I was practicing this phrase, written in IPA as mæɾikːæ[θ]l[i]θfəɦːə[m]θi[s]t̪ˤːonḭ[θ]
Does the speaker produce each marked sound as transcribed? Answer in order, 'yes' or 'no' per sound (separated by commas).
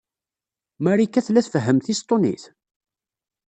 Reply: yes, no, yes, yes, yes